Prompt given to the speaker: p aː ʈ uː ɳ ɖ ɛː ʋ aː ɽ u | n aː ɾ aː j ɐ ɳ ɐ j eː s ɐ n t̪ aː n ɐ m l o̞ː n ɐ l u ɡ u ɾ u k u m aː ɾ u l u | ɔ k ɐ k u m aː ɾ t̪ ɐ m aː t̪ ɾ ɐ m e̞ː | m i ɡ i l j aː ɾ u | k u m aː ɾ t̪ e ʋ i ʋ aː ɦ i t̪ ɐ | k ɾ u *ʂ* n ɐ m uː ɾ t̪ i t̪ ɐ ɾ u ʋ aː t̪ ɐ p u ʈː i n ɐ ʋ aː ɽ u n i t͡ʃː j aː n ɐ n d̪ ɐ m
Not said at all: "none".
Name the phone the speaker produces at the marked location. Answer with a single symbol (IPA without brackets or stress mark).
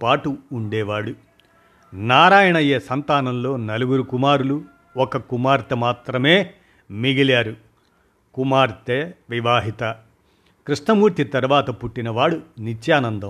ʂ